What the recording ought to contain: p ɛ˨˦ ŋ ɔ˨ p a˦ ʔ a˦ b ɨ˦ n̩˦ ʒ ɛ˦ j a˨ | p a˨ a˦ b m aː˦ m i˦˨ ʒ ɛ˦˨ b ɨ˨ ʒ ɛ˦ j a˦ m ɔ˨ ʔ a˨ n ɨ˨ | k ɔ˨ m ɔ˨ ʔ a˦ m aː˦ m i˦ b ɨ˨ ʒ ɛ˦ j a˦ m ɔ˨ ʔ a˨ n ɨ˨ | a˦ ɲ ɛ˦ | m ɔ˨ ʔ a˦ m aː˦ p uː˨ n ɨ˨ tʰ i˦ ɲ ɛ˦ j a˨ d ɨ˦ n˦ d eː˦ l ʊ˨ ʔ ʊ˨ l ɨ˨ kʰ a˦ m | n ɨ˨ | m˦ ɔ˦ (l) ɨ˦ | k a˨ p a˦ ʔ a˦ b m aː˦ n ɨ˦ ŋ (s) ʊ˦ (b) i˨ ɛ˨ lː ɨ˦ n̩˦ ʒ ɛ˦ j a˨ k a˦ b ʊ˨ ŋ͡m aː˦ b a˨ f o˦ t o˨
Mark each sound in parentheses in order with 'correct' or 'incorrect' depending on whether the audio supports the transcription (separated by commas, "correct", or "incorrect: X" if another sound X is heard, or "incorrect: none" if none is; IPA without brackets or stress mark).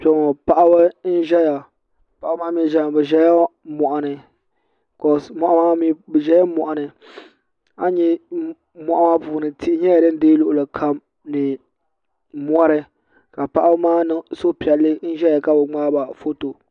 incorrect: ɾ, correct, incorrect: p